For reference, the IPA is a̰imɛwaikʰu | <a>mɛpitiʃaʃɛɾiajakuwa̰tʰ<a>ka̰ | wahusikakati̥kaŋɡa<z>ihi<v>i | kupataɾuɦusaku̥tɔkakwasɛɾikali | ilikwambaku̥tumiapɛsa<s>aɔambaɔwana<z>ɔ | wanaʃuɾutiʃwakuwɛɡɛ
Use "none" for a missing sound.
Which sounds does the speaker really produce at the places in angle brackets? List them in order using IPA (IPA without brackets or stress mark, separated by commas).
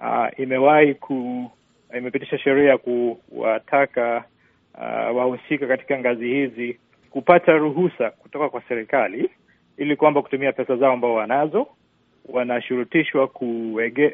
i, a, z, z, z, z